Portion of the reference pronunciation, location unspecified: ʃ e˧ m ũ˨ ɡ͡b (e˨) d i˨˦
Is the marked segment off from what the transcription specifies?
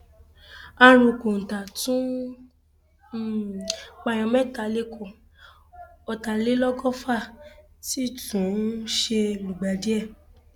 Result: yes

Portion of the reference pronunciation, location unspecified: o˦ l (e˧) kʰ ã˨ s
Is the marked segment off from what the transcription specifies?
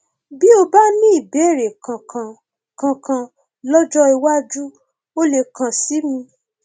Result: no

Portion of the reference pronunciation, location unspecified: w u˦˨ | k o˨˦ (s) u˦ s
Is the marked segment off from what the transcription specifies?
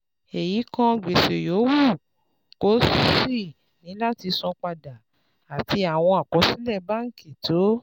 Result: no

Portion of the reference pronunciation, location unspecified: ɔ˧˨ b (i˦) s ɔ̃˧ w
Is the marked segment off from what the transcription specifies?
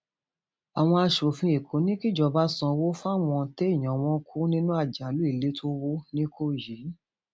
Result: yes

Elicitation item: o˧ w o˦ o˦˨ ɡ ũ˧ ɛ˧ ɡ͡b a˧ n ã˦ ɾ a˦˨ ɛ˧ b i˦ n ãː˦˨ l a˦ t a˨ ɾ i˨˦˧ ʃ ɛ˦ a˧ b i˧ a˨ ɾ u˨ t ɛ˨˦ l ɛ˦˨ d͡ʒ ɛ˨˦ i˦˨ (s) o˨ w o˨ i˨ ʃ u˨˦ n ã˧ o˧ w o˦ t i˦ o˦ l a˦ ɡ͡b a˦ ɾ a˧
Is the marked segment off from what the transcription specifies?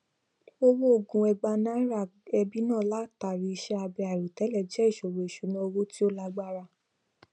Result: yes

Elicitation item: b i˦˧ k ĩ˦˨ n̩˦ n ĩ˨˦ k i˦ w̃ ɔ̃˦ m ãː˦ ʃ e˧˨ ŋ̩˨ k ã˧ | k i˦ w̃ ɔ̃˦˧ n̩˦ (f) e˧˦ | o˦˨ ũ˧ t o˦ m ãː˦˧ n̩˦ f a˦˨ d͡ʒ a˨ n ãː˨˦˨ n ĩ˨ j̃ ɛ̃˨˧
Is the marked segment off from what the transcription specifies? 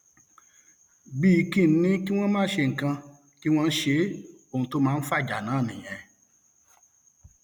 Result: yes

